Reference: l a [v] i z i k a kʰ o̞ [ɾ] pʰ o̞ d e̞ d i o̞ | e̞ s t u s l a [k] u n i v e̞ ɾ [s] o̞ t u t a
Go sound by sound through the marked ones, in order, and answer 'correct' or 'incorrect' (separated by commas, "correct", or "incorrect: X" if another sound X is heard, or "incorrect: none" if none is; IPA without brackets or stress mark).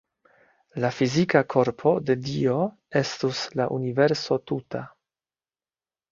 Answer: incorrect: f, correct, incorrect: ʔ, correct